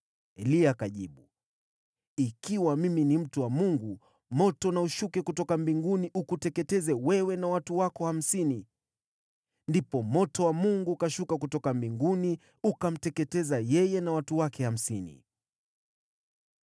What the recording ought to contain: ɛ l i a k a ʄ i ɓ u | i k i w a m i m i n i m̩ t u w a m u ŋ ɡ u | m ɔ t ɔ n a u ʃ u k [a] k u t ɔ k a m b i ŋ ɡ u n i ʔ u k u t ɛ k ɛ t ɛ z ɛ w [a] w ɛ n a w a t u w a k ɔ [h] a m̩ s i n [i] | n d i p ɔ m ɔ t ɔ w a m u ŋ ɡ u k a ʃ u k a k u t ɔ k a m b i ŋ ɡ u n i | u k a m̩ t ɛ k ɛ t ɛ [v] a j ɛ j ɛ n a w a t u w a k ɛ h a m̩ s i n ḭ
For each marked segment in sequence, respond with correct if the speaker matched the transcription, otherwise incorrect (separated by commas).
incorrect, incorrect, correct, correct, incorrect